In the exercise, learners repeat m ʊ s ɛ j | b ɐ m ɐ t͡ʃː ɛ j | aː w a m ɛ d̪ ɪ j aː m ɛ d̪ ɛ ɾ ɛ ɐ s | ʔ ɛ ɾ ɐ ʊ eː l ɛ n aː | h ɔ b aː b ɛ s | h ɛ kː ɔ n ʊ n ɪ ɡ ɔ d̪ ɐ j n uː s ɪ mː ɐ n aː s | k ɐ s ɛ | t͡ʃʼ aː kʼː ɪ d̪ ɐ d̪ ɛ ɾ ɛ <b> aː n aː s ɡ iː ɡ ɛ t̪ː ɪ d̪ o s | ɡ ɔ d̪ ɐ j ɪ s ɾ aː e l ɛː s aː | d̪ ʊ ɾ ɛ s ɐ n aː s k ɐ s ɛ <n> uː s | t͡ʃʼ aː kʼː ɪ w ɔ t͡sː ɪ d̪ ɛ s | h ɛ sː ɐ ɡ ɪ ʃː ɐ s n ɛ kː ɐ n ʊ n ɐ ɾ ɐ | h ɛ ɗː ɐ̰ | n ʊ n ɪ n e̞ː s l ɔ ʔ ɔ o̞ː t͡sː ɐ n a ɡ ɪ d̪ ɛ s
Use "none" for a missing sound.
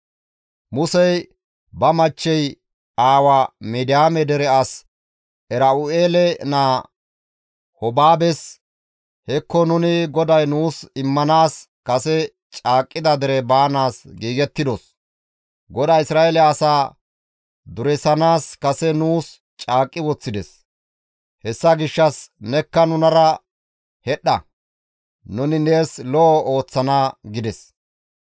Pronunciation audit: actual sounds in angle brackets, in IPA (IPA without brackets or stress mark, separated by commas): b, n